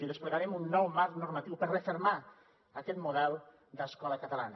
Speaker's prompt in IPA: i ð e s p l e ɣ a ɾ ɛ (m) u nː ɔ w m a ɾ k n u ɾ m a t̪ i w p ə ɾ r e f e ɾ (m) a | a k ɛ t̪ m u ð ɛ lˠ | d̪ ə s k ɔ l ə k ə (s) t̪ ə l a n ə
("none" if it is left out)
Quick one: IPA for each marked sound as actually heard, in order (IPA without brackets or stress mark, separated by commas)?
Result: m, m, none